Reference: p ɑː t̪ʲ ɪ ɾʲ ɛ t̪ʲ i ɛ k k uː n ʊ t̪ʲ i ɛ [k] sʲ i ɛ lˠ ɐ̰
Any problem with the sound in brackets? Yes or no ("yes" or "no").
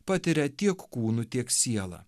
no